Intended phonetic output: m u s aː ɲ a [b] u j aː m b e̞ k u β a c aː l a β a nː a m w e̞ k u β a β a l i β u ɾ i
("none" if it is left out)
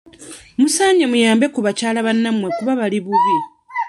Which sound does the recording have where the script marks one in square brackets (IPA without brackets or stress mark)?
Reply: m